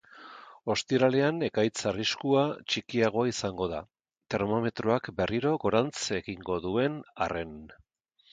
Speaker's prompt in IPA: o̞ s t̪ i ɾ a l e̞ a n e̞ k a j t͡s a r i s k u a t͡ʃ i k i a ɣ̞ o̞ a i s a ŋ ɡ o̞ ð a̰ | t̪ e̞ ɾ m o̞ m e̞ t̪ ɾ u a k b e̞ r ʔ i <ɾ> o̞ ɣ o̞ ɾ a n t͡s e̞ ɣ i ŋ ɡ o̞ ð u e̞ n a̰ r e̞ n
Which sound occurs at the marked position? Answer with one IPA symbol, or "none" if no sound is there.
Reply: ɾ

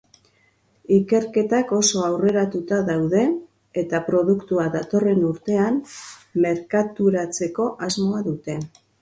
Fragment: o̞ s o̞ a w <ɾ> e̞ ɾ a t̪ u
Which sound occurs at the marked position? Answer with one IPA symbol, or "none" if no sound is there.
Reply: r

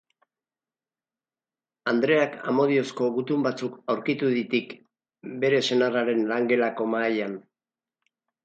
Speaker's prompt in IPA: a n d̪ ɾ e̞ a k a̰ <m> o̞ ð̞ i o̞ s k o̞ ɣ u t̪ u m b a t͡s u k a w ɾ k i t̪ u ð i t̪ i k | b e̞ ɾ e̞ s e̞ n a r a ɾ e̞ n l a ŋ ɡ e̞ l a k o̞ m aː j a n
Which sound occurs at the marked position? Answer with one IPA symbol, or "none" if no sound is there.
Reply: m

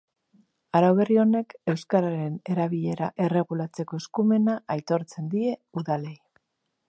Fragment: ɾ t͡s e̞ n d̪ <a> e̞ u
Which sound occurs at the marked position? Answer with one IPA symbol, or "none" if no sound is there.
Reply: i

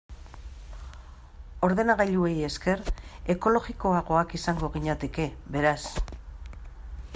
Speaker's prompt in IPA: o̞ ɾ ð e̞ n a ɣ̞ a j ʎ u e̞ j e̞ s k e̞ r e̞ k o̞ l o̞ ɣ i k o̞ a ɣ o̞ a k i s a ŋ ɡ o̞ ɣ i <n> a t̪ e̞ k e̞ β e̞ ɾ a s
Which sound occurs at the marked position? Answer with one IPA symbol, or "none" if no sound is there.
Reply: ɲ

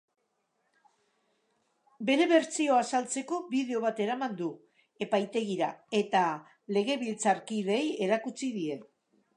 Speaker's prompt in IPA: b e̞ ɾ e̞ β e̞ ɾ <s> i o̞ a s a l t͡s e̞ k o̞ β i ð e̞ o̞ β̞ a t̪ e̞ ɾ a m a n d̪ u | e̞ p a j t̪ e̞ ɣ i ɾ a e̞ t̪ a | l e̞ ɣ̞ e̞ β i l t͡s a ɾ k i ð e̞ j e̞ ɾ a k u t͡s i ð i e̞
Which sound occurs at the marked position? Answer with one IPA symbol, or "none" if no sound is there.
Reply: t͡s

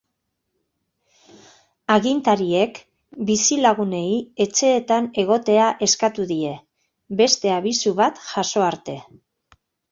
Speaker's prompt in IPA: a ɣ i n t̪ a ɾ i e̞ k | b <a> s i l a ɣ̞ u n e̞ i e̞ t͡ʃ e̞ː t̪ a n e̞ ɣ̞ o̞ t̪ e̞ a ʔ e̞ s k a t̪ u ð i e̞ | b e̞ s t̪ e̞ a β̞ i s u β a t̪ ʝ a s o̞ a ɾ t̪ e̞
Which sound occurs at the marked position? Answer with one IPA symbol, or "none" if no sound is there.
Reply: i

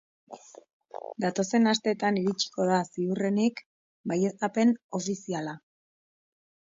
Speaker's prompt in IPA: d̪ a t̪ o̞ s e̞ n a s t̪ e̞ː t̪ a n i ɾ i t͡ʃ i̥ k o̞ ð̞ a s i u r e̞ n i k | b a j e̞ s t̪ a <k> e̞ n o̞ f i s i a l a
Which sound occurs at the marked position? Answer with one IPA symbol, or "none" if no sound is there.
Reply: p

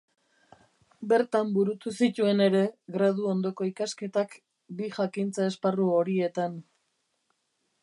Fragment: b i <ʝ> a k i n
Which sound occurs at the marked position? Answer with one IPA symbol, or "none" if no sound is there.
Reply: ʝ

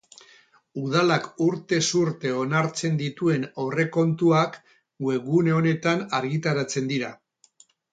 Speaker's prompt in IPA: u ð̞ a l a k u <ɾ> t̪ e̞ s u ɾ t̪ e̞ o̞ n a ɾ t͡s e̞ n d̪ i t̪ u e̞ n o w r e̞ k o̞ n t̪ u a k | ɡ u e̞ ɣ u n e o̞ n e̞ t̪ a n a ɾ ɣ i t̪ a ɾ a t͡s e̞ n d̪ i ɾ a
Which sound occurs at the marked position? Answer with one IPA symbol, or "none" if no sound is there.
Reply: ɾ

